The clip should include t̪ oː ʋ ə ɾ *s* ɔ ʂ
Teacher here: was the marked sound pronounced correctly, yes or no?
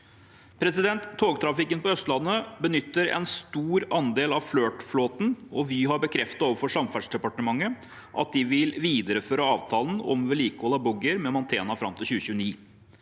no